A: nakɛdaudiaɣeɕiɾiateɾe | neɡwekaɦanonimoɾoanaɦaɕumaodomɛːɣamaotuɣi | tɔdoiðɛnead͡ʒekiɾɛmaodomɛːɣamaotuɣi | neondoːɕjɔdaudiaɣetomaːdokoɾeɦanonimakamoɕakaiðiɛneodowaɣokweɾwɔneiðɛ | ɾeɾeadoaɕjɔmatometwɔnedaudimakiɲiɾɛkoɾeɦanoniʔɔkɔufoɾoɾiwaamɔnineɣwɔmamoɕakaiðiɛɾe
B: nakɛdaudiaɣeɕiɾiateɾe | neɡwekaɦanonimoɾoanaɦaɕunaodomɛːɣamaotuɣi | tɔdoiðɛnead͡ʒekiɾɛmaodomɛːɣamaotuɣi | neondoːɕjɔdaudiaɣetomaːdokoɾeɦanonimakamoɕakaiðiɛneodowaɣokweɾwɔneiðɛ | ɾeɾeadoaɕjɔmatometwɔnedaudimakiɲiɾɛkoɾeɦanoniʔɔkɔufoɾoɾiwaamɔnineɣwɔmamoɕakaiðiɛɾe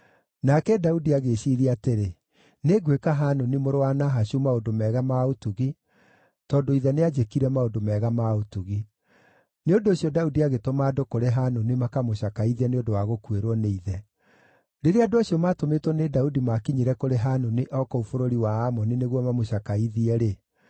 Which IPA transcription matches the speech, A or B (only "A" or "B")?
A